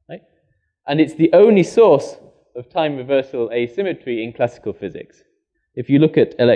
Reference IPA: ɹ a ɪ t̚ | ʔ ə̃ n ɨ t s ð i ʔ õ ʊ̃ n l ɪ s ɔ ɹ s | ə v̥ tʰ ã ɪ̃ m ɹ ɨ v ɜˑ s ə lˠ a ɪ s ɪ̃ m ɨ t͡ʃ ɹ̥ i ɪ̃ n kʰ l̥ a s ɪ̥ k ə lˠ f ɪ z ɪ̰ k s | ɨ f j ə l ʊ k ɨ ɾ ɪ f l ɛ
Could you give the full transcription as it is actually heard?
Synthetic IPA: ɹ a ɪ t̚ | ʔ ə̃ n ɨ t s ð i ʔ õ ʊ̃ n l i s ɔ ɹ s | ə v̥ tʰ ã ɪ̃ m ɹ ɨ v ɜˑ s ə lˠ e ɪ s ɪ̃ m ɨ t͡ʃ ɹ̥ i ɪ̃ n kʰ l̥ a s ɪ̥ k ə lˠ f ɪ z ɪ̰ k s | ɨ f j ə l ʊ k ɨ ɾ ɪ l ɛ

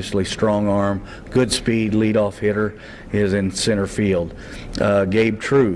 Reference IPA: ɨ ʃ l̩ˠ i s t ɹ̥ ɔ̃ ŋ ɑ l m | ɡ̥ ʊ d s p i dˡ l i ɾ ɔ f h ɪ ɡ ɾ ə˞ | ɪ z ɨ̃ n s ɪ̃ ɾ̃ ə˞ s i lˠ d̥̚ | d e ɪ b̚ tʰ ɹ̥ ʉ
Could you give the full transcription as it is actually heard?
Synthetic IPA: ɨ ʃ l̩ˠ i s t ɹ̥ ɔ̃ ŋ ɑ ɹ m | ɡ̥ ʊ d s p i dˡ l i ɾ ɔ f h ɪ ɾ ə˞ | ɪ z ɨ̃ n s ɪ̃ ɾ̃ ə˞ f i lˠ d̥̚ | ɡ e ɪ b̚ tʰ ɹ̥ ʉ

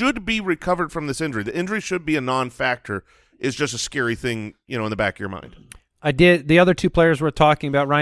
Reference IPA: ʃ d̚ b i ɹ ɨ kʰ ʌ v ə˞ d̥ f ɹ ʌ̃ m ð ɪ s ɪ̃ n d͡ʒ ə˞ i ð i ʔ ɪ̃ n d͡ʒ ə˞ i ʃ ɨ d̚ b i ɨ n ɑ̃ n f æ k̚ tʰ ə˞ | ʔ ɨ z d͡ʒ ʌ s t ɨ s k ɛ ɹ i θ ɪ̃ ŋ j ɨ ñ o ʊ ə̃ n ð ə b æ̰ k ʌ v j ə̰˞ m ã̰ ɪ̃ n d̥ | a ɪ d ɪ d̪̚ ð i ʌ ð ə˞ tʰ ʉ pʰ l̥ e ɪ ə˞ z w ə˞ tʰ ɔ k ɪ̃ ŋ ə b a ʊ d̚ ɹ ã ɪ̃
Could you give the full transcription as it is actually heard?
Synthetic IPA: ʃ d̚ b i ɹ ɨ kʰ ʌ v ə˞ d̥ f ɹ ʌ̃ m ð ɪ s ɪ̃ n d͡ʒ ə˞ i ð i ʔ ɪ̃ n d͡ʒ ə˞ i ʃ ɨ d̚ b i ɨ n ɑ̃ n f æ k̚ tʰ ə˞ | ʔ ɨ z d͡ʒ ʌ s t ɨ s k ɛ ɹ i θ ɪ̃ ŋ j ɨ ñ o ʊ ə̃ n ð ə b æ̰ k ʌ v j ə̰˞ m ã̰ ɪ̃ n d̥ | a ɪ d ɪ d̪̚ ð i ʌ ð ə˞ tʰ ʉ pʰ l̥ e ɪ ə˞ z w ə˞ tʰ ɔ k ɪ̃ ŋ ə b a ʊ t̚ ɹ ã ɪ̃

